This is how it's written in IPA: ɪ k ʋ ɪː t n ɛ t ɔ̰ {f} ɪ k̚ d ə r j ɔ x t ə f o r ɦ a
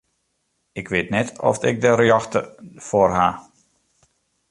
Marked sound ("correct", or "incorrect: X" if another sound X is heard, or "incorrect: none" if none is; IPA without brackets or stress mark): correct